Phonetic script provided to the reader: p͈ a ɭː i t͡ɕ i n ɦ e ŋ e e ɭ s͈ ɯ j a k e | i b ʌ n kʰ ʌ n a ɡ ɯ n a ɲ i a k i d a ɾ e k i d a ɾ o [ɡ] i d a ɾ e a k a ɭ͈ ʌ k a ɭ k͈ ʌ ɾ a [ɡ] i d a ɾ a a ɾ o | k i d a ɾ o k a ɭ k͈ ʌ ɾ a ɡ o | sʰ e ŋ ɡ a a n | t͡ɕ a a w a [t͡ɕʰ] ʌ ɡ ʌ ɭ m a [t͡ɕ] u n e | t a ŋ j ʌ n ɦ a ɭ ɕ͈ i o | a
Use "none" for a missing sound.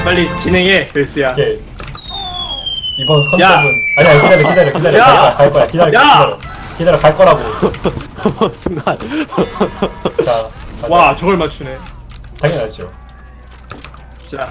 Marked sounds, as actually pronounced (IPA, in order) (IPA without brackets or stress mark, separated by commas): k, k, t͡ɕ, t͡ɕʰ